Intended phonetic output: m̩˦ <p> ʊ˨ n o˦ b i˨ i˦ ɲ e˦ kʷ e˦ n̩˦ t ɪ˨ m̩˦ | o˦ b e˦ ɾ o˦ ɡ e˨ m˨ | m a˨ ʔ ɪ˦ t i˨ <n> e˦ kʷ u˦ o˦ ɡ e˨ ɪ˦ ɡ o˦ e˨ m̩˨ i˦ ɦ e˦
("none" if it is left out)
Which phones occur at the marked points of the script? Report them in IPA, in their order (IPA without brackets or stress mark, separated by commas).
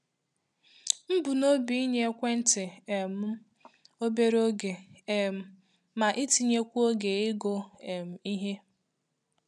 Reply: b, ɲ